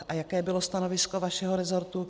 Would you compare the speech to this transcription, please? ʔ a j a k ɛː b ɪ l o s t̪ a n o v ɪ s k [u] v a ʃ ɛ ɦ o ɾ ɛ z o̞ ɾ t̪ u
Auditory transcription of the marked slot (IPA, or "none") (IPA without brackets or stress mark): o